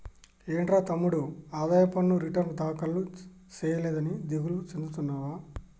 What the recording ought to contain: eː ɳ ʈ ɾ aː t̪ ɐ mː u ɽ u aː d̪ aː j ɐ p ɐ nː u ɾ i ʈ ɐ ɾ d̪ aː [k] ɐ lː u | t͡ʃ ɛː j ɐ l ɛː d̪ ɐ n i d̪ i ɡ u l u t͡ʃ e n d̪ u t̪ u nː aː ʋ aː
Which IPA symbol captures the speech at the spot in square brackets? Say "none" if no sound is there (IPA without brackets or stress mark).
k